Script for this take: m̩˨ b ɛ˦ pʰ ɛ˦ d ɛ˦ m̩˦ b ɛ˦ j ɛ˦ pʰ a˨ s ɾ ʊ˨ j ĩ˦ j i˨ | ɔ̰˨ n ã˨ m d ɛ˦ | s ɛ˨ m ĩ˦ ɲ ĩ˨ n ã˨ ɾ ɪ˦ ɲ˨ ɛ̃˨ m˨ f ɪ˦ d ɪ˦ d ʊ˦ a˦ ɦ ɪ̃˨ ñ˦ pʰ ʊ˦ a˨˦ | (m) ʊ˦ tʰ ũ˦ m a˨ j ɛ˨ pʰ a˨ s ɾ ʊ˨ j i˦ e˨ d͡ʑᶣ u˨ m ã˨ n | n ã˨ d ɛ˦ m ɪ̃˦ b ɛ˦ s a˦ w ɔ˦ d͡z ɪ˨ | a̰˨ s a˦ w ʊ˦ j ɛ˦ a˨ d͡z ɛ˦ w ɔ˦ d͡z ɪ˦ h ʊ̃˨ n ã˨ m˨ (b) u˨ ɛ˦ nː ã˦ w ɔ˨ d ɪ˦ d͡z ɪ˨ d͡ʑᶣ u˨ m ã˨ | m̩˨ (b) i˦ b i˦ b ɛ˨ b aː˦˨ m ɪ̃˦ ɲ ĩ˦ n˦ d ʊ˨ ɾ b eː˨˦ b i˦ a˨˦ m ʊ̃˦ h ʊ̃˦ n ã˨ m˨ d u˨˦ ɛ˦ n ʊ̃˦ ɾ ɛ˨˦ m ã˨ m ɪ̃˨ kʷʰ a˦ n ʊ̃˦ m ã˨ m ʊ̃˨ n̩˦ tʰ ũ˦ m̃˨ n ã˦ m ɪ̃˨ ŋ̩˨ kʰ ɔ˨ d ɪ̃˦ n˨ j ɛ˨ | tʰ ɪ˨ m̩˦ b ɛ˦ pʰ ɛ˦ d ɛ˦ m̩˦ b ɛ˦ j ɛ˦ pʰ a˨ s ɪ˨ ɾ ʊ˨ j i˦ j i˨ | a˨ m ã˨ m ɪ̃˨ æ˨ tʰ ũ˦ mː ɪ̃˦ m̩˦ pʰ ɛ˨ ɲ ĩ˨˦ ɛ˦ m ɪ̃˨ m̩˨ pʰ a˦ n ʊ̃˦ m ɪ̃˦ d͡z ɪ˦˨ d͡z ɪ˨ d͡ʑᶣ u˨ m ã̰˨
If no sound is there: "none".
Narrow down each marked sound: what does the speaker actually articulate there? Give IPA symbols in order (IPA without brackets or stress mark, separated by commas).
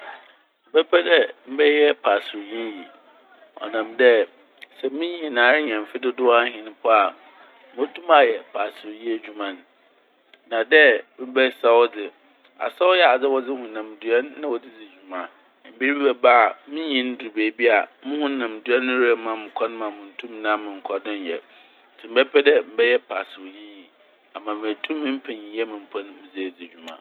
m, d, b